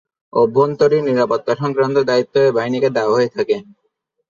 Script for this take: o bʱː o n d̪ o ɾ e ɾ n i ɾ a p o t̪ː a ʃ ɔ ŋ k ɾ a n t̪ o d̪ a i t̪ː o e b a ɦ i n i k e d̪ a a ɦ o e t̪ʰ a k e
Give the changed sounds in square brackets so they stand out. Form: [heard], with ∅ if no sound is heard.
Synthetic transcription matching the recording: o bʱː o n [t̪] o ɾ [i] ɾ n i ɾ a p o t̪ː a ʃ ɔ ŋ k ɾ a n t̪ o d̪ a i t̪ː o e b a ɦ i n i k e d̪ a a ɦ o e t̪ʰ a k e